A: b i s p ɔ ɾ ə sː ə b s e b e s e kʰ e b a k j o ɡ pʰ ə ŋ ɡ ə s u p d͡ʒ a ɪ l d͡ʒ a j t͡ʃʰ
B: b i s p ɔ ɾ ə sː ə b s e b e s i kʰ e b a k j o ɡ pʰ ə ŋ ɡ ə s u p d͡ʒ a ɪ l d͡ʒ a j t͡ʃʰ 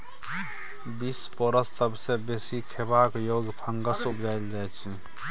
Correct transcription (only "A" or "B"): B